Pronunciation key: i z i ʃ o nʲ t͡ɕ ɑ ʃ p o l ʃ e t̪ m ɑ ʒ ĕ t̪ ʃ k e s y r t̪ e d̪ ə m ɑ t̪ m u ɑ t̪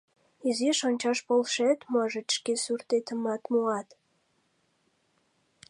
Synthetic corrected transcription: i z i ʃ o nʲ t͡ɕ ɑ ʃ p o l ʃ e t̪ m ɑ ʒ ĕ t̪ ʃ k e s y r t̪ e t̪ ə m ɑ t̪ m u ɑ t̪